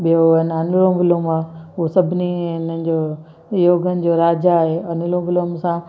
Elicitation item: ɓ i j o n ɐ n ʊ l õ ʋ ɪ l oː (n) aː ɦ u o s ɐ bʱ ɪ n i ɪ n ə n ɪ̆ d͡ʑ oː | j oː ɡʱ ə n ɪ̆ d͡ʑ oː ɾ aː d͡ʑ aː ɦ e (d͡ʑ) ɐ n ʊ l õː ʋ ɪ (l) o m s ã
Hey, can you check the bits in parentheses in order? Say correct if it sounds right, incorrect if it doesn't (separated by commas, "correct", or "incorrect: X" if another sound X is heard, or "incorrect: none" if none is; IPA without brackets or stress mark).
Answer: incorrect: m, incorrect: none, correct